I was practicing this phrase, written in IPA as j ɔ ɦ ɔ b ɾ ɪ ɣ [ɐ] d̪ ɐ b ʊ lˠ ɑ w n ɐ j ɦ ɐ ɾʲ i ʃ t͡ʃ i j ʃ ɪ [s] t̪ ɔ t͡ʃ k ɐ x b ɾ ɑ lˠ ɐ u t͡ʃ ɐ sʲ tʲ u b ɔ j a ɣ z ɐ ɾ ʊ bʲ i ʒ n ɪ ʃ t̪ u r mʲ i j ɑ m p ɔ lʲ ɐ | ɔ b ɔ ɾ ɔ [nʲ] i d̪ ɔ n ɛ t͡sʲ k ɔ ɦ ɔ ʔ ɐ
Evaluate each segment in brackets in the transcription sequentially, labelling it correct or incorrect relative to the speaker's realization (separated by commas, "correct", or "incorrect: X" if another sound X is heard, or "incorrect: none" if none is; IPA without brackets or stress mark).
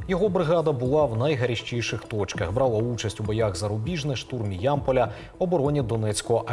incorrect: ɑ, incorrect: x, correct